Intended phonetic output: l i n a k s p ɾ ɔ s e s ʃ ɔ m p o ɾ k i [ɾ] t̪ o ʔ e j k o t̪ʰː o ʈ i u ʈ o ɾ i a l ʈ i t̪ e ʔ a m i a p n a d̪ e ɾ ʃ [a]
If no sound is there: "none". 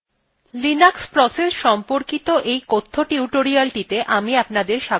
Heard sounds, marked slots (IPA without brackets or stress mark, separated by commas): none, a